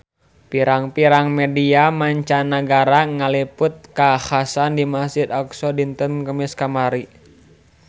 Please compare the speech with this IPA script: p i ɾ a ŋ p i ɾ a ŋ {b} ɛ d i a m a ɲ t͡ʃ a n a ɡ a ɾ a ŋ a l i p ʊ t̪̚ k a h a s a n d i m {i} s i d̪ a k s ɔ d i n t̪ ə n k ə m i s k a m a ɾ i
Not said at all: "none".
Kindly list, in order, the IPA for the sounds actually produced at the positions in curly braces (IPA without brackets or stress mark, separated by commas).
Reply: m, a